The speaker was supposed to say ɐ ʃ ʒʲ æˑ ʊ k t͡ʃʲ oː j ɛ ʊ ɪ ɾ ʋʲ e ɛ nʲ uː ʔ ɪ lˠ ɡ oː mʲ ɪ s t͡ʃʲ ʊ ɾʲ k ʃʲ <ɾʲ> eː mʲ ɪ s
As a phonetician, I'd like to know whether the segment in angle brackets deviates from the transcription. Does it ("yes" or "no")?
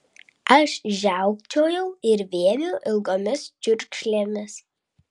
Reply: yes